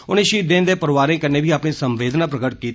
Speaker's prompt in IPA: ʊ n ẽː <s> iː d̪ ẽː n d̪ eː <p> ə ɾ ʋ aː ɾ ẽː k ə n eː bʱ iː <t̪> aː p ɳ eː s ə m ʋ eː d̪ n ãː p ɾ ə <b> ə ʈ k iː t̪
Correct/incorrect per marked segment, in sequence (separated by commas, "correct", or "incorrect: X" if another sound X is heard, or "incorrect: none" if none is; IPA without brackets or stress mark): incorrect: ʃ, correct, incorrect: none, incorrect: ɡ